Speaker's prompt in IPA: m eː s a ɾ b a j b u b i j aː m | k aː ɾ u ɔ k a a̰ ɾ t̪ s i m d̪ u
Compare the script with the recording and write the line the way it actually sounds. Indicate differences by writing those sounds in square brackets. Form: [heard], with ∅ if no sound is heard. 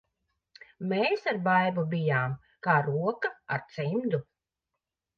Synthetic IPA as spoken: m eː s a ɾ b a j b u b i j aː m | k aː ɾ u ɔ k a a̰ ɾ t̪ s i m d̪ u